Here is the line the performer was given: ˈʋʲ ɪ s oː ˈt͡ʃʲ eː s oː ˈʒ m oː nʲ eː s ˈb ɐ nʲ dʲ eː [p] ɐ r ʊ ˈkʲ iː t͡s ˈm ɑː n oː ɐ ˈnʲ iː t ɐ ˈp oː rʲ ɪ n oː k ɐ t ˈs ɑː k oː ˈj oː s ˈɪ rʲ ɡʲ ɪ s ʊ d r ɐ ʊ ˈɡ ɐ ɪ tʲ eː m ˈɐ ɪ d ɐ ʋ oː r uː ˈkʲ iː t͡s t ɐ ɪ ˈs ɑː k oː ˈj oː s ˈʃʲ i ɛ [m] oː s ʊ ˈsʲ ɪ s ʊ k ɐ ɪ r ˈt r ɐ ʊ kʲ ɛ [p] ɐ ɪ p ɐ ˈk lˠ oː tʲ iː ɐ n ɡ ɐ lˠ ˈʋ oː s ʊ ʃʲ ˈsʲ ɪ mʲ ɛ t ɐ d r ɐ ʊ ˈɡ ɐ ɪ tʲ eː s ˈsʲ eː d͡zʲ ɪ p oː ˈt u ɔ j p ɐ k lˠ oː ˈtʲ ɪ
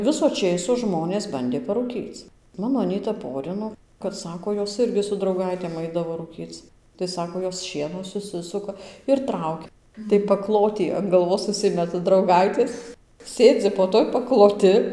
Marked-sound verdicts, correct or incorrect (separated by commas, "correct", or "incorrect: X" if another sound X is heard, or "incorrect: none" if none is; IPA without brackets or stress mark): correct, incorrect: n, incorrect: t